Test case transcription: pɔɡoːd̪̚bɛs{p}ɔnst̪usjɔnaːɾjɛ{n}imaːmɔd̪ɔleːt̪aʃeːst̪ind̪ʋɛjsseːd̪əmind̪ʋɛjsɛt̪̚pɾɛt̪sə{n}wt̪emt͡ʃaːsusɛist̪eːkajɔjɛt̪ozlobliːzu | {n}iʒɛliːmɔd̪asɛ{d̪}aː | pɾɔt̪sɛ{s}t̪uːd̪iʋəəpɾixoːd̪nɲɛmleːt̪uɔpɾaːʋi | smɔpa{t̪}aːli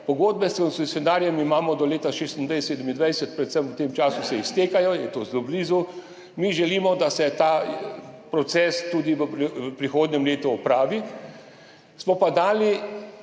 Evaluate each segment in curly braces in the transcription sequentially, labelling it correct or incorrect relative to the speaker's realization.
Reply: incorrect: k, incorrect: m, incorrect: m, incorrect: m, incorrect: t̪, correct, incorrect: d̪

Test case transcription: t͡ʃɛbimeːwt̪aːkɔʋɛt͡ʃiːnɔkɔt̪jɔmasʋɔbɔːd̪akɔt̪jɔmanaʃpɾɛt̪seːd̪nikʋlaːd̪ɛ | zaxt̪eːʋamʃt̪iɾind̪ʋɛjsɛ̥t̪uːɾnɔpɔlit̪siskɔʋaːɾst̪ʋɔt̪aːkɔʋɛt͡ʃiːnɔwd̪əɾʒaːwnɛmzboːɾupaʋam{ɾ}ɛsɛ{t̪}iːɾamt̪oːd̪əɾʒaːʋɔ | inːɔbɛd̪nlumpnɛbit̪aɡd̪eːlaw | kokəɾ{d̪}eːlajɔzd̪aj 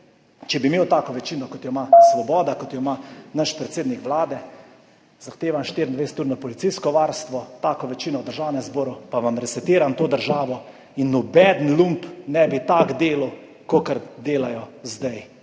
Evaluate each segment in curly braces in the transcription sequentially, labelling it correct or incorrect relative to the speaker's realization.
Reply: correct, correct, correct

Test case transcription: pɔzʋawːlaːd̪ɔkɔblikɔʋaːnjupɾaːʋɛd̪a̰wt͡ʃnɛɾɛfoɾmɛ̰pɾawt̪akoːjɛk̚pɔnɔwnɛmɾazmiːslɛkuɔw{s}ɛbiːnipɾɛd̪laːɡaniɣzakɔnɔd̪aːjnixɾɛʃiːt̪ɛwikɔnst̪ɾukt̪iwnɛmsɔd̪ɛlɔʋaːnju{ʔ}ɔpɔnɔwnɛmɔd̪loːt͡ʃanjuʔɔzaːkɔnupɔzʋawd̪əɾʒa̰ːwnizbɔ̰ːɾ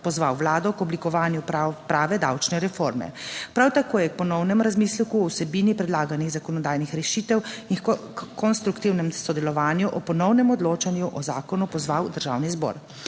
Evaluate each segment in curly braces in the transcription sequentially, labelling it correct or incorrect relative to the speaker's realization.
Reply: correct, correct

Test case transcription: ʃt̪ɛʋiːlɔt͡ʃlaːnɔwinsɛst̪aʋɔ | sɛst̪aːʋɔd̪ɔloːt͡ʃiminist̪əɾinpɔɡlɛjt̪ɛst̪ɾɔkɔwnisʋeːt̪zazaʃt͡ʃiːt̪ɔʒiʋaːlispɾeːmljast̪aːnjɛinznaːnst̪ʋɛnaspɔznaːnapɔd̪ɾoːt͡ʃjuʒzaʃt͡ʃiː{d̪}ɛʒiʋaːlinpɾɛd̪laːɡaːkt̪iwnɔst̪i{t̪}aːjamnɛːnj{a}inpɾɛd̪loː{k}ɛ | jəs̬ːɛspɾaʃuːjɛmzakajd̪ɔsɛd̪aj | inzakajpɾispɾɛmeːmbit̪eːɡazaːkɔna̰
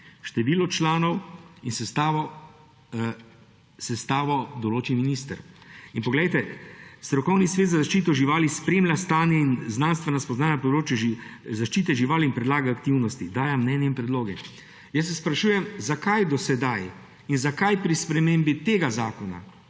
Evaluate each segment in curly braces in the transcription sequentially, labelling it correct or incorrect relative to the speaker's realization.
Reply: incorrect: t̪, incorrect: d̪, incorrect: ɛ, incorrect: ɡ

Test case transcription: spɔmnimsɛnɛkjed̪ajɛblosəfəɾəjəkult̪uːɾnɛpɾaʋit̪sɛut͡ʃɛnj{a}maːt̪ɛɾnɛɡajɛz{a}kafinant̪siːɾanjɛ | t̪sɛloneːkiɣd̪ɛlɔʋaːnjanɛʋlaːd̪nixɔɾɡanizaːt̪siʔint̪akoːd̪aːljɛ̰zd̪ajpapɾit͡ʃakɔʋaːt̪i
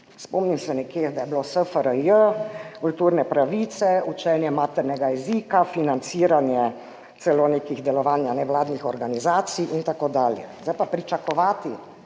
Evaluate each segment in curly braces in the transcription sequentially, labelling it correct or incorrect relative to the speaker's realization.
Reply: incorrect: ɛ, incorrect: i

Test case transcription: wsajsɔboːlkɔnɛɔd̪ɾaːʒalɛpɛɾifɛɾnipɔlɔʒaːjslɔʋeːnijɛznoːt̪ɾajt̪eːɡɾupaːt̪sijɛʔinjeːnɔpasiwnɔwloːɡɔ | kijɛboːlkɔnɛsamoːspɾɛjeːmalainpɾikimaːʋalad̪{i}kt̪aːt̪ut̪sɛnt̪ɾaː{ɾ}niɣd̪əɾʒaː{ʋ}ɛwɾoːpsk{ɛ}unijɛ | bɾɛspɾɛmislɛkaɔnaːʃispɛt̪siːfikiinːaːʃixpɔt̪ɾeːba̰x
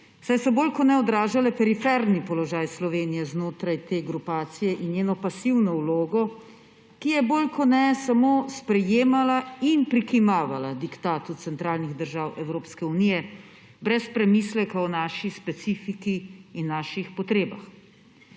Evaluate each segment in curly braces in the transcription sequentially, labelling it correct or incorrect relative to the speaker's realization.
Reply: correct, incorrect: l, incorrect: w, correct

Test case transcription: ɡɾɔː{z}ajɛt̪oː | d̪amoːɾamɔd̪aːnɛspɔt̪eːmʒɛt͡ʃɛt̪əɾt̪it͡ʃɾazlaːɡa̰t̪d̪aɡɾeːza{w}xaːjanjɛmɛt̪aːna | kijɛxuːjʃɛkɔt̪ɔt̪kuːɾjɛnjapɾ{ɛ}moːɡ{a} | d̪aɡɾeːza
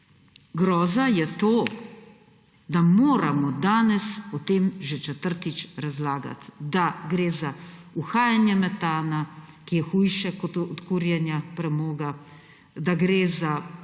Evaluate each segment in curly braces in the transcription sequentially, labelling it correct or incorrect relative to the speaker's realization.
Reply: correct, incorrect: u, correct, correct

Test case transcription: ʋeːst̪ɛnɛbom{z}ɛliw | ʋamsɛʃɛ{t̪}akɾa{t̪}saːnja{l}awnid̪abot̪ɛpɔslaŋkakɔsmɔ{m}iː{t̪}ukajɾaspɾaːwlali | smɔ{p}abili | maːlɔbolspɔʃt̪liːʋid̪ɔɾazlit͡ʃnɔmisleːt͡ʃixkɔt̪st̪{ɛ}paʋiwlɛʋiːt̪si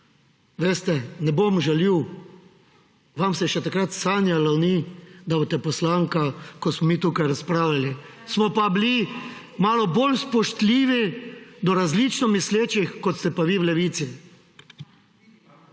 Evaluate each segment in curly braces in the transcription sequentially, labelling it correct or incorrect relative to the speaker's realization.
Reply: incorrect: ʒ, correct, correct, correct, correct, correct, correct, correct

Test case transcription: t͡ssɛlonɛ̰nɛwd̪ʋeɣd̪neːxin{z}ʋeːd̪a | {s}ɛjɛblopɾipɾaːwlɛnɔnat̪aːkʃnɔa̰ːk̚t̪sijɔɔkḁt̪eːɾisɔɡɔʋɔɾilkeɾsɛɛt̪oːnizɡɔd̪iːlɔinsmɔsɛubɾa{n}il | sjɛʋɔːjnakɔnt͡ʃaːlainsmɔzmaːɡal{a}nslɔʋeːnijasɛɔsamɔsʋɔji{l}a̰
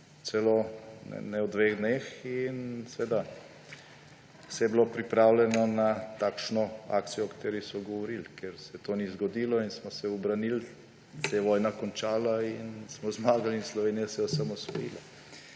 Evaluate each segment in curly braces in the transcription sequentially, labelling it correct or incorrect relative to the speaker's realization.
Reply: incorrect: s, correct, correct, incorrect: i, correct

